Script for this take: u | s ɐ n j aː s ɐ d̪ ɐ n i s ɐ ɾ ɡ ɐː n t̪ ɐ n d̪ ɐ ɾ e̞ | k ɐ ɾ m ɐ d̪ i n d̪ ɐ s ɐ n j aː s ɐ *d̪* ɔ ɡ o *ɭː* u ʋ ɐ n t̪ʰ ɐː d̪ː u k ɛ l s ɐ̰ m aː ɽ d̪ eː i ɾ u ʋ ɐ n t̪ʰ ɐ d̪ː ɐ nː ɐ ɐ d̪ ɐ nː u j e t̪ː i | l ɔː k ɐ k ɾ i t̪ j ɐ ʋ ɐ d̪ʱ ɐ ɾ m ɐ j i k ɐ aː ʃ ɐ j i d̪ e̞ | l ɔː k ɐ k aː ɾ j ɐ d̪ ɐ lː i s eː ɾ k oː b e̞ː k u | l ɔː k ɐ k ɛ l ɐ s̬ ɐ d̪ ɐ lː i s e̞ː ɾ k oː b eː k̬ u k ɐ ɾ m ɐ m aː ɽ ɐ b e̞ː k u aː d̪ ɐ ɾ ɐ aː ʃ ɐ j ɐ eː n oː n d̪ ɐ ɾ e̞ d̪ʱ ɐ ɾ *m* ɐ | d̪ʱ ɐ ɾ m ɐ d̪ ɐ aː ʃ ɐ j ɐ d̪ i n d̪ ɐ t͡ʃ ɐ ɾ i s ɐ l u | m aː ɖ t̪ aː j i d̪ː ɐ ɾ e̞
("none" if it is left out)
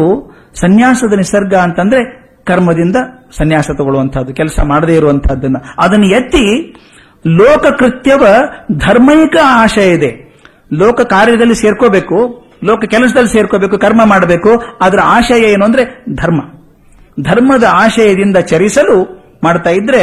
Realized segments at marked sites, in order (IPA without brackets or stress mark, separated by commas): t̪, ɭ, m